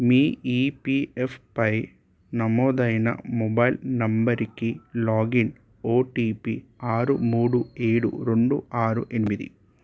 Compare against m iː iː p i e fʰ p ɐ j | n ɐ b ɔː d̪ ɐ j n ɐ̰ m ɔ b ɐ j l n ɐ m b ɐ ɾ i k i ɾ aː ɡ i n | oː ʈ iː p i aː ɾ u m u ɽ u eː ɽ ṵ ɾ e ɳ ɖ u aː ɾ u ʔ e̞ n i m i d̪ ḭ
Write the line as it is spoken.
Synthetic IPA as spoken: m iː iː p i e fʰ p ɐ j | n ɐ m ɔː d̪ ɐ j n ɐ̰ m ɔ b ɐ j l n ɐ m b ɐ ɾ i k i l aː ɡ i n | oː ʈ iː p i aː ɾ u m uː ɽ u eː ɽ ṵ ɾ e ɳ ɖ u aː ɾ u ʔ e̞ n i m i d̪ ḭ

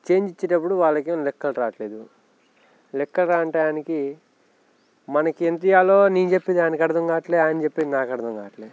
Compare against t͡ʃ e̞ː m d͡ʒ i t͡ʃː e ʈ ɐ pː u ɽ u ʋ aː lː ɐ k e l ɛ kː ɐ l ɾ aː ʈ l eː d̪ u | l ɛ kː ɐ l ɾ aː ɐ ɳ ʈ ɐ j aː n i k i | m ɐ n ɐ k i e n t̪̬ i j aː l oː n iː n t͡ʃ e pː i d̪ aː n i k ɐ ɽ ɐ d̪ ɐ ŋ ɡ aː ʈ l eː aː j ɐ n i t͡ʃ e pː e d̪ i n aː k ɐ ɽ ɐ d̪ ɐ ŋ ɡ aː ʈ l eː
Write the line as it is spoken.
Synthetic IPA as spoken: t͡ʃ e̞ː ɲ d͡ʒ i t͡ʃː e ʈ ɐ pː u ɽ u ʋ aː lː ɐ k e l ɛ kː ɐ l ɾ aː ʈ l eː d̪ u | l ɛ kː ɐ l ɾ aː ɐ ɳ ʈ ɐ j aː n i k i | m ɐ n ɐ k i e n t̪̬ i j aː l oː n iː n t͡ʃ e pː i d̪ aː n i k ɐ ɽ ɐ d̪ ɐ ŋ ɡ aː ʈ l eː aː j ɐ n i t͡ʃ e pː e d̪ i n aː k ɐ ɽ ɐ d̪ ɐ ŋ ɡ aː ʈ l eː

